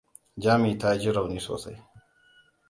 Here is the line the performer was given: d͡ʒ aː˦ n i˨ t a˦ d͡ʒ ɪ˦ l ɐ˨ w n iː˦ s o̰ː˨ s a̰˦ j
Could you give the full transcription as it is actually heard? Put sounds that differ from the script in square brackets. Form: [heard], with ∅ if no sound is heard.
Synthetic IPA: d͡ʒ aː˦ [m] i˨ t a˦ d͡ʒ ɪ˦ [ɾ] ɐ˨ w n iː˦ s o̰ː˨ s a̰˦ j